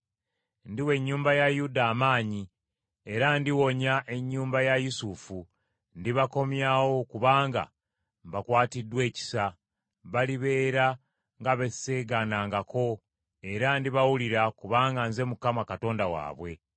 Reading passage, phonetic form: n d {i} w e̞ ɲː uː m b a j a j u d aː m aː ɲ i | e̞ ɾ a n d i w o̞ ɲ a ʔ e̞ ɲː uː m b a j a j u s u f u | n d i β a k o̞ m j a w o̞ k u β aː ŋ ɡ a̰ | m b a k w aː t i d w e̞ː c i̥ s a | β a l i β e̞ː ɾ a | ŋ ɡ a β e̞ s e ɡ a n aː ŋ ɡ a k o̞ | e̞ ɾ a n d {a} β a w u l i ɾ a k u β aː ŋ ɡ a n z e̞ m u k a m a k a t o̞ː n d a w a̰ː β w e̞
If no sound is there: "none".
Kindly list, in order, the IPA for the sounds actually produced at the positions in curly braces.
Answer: i, i

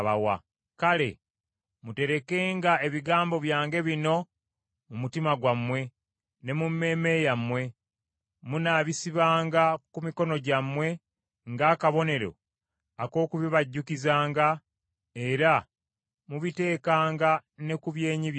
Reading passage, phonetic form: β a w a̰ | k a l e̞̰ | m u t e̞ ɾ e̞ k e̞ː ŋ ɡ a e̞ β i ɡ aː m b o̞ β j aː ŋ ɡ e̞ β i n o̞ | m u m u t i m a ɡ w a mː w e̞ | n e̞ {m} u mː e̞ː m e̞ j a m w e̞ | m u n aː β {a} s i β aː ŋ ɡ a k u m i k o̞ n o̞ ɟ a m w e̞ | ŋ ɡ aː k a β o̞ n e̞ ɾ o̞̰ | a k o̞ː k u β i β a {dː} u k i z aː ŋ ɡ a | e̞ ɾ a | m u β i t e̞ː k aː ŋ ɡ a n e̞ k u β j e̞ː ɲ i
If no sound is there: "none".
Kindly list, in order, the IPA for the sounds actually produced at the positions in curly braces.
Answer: m, i, ɟː

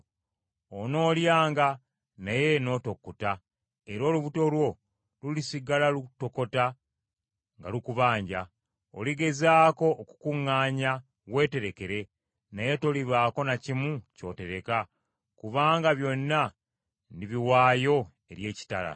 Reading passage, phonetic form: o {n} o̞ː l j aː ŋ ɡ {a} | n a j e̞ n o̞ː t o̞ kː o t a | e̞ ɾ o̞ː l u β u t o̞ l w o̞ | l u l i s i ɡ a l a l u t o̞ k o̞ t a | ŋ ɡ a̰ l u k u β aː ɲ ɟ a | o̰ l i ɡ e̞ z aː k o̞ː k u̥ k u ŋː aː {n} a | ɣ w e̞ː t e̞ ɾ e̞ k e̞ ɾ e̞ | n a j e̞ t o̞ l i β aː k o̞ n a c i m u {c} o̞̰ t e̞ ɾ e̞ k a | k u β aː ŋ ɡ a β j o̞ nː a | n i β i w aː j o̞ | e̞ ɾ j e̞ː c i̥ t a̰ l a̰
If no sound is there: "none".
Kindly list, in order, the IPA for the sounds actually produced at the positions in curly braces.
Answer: n, a, ɲ, c

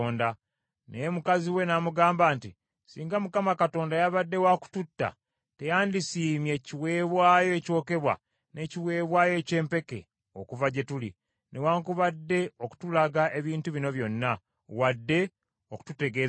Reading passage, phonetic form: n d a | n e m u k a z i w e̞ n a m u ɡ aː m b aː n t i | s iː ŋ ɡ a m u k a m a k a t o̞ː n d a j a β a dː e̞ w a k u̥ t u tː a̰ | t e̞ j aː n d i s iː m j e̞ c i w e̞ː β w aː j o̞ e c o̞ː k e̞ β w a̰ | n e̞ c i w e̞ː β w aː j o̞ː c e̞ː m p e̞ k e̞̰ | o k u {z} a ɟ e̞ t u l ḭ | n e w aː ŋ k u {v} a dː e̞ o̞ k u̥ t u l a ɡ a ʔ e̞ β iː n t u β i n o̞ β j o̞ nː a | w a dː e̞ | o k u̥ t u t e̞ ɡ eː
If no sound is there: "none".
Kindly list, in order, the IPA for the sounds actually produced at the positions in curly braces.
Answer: v, β

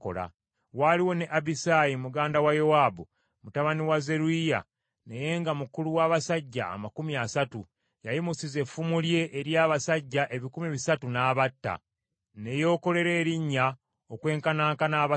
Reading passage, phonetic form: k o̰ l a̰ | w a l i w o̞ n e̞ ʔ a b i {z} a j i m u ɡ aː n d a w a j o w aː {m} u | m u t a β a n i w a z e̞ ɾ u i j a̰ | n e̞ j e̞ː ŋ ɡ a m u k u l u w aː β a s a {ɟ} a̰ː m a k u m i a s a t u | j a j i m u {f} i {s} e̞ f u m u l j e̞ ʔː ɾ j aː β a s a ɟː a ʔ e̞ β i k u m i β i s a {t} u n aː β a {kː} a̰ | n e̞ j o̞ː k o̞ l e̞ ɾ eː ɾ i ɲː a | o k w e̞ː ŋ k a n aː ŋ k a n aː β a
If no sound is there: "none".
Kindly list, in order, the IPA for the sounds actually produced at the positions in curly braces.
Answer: s, b, ɟː, s, z, t, tː

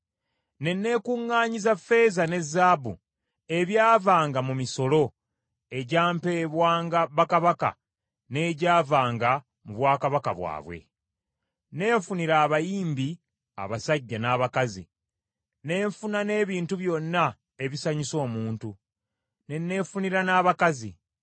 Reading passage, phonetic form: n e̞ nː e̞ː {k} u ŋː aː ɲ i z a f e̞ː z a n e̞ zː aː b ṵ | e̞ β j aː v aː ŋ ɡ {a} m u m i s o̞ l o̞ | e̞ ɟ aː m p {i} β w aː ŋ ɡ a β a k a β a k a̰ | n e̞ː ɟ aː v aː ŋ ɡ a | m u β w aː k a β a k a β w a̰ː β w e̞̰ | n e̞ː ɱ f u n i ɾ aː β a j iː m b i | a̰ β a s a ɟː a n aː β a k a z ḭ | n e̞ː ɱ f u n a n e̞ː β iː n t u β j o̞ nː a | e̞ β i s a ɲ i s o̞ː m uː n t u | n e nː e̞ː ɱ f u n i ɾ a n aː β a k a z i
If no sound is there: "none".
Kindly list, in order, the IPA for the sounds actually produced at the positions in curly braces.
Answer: k, a, e

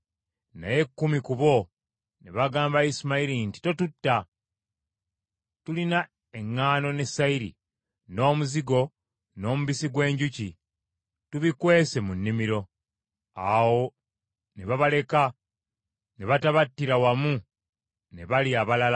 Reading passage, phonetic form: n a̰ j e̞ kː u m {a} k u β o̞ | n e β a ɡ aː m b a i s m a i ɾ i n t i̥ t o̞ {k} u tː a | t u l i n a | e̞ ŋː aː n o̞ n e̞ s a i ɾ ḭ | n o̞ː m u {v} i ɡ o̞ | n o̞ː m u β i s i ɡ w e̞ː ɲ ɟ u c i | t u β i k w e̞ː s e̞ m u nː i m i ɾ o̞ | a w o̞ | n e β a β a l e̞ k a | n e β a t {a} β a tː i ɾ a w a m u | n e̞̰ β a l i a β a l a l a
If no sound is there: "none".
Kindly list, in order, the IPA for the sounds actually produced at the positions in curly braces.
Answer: i, t, z, a

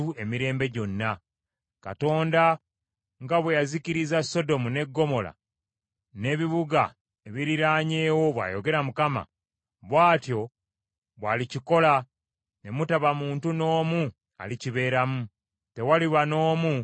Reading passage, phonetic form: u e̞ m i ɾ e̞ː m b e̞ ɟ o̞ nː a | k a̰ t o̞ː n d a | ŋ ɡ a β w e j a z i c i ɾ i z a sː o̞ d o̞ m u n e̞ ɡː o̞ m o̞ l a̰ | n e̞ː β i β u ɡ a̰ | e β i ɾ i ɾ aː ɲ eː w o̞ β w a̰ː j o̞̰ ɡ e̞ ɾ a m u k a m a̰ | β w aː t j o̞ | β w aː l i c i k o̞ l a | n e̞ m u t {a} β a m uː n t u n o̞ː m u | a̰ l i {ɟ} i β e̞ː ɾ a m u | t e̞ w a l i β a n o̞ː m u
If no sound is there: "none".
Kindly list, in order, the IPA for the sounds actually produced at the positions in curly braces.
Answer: a, c

